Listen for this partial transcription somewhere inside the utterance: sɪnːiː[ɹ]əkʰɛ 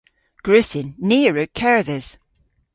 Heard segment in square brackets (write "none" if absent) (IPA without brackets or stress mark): ɹ